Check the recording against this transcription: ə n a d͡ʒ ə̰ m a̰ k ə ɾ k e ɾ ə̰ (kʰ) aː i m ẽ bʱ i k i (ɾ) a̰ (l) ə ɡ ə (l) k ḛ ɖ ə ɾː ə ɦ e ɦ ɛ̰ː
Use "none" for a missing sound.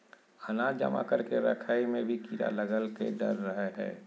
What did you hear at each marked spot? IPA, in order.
kʰ, ɾ, l, l

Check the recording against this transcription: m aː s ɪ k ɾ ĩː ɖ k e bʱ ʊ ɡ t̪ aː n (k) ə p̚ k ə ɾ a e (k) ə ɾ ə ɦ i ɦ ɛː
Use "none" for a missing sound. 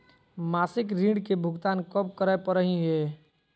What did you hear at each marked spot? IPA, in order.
k, p

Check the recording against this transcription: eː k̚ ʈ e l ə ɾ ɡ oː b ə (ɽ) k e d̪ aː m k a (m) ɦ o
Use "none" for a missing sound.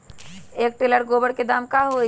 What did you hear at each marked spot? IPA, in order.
ɽ, none

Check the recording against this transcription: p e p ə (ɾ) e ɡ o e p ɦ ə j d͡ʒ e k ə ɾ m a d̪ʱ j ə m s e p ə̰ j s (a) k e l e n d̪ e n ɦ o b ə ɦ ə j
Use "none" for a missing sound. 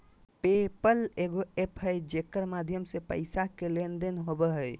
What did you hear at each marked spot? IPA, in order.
l, a

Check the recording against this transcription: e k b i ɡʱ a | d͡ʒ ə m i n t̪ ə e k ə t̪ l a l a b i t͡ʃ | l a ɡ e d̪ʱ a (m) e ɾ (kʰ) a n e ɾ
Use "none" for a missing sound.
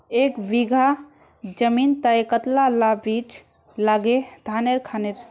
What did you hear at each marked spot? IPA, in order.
n, kʰ

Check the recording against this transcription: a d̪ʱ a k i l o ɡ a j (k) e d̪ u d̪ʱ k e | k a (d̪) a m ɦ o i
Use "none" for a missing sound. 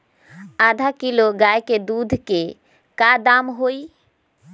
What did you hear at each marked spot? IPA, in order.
k, d̪

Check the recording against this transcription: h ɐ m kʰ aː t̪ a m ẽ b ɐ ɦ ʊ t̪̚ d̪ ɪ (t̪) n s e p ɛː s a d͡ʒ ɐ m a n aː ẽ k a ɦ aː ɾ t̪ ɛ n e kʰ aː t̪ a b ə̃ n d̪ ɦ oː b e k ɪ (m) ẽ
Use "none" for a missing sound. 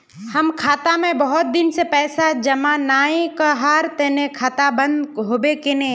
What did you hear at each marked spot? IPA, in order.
none, n

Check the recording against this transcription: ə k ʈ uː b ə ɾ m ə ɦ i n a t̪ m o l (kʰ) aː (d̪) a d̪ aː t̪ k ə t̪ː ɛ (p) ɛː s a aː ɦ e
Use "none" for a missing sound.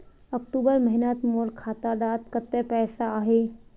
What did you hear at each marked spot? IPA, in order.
kʰ, t̪, p

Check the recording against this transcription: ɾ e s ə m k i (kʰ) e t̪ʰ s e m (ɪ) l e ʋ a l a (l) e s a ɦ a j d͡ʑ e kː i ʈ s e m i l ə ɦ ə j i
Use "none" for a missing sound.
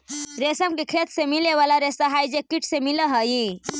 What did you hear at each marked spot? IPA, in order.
kʰ, i, ɾ

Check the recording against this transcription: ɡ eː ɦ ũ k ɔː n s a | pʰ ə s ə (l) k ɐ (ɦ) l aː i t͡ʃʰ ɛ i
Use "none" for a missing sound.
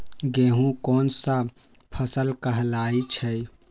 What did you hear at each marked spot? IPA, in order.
l, ɦ

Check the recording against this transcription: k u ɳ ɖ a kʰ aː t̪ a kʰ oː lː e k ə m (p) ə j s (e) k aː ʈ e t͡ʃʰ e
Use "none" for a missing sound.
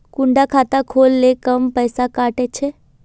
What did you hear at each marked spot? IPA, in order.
p, a

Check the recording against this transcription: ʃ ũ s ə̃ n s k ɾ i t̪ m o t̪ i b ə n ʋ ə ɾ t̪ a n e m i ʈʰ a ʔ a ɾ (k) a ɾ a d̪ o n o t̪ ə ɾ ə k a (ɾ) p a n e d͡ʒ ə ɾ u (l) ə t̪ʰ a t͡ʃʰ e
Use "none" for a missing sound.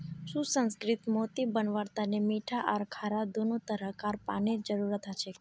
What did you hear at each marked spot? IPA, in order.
kʰ, ɾ, ɾ

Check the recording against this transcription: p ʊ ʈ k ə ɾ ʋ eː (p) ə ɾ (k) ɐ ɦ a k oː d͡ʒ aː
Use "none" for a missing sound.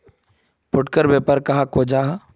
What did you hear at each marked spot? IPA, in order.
p, k

